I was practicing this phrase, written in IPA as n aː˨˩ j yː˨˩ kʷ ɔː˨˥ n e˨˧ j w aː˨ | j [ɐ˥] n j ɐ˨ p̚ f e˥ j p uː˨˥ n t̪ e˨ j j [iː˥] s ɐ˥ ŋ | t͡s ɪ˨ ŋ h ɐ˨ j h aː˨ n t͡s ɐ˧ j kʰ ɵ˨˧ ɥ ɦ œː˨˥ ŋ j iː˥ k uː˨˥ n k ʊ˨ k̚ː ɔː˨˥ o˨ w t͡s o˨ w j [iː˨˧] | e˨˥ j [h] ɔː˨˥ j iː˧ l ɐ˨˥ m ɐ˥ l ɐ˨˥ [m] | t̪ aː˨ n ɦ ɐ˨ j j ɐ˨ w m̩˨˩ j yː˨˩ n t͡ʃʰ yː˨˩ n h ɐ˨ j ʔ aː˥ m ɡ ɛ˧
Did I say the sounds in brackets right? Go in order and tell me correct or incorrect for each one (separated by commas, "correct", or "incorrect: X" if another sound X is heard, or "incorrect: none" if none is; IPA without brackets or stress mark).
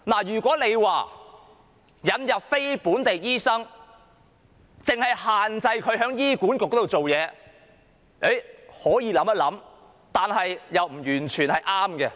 incorrect: ɐ˨˧, correct, incorrect: ɛː˨˧, correct, correct